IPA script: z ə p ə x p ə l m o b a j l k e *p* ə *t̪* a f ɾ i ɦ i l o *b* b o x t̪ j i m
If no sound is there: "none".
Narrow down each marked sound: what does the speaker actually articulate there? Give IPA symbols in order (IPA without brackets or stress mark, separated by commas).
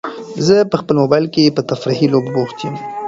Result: p, t̪, b